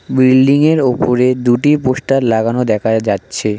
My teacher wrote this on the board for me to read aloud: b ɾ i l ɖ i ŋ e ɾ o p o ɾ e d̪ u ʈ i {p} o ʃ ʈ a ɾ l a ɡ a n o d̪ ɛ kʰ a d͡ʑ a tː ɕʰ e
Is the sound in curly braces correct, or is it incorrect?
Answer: correct